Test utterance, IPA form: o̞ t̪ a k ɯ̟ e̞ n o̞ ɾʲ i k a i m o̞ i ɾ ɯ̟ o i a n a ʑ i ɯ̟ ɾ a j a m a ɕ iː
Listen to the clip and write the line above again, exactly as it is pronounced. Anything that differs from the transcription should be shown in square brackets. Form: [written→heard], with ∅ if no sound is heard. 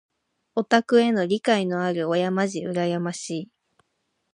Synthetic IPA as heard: o̞ t̪ a k ɯ̟ e̞ n o̞ ɾʲ i k a i [m→n] o̞ [i→a] ɾ ɯ̟ o [i→j] a [n→m] a ʑ i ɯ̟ ɾ a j a m a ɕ iː

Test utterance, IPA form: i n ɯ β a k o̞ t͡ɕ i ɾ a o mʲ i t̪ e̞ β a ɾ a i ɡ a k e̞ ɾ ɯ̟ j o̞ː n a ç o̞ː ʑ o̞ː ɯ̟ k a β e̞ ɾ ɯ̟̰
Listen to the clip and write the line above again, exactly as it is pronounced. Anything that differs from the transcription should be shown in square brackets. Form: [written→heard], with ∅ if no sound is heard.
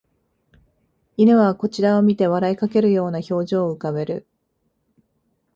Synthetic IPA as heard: i n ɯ β a k o̞ t͡ɕ i ɾ a o mʲ i t̪ e̞ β a ɾ a i [ɡ→k] a k e̞ ɾ ɯ̟ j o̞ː n a ç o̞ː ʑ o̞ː ɯ̟ k a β e̞ ɾ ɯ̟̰

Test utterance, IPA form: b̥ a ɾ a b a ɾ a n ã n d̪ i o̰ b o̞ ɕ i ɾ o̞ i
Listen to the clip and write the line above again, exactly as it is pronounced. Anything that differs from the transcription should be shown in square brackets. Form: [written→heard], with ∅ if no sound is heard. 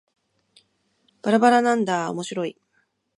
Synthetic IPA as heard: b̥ a ɾ a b a ɾ a n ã n d̪ [i→a] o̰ [b→m] o̞ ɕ i ɾ o̞ i

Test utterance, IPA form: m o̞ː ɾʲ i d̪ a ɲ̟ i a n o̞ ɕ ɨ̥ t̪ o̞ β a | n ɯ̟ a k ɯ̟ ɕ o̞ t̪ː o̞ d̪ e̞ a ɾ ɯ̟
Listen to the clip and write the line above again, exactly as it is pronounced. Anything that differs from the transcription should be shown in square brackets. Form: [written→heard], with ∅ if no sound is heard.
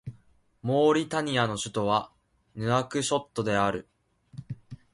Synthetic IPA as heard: m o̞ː ɾʲ i [d̪→t̪] a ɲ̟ i a n o̞ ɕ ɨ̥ t̪ o̞ β a | n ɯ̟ a k ɯ̟ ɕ o̞ t̪ː o̞ d̪ e̞ a ɾ ɯ̟

